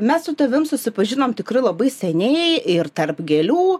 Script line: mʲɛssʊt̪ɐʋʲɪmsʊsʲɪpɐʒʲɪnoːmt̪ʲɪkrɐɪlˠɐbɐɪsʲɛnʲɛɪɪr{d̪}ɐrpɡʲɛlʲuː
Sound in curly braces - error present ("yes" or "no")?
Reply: yes